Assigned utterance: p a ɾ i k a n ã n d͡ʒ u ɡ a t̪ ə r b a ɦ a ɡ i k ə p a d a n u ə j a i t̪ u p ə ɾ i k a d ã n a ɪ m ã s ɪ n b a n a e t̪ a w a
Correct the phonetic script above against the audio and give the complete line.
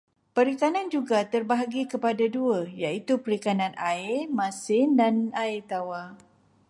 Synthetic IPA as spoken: p ə ɾ i k a n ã n d͡ʒ u ɡ a t̪ ə r b a ɦ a ɡ i k ə p a d a d u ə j a i t̪ u p ə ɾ i k a n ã n a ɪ m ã s ɪ n d a n a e t̪ a w a